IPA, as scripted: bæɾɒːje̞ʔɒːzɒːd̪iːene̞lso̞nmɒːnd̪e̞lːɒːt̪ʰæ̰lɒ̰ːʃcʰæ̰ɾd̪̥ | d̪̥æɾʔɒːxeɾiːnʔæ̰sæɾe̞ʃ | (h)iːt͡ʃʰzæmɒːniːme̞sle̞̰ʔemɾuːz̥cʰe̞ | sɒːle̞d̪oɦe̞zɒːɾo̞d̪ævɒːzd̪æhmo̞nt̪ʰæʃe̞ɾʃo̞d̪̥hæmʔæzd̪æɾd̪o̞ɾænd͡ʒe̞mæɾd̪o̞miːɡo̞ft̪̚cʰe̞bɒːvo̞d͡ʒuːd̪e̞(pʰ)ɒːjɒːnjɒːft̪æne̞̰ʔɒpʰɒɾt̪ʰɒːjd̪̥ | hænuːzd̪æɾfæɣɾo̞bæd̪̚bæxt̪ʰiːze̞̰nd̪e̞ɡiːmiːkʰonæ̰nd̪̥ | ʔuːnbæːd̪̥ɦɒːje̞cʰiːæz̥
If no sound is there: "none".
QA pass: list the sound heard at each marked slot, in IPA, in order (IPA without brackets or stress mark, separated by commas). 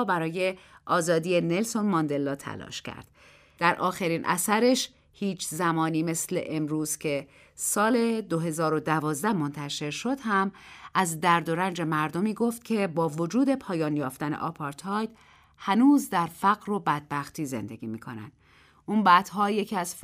h, pʰ